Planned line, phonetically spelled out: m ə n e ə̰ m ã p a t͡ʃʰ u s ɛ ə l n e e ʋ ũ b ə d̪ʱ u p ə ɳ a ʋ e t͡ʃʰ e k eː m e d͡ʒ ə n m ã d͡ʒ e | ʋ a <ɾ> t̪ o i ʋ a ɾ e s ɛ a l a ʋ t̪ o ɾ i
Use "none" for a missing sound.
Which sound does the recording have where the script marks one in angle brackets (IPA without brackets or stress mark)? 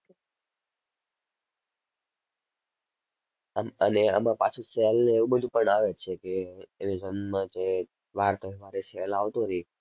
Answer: ɾ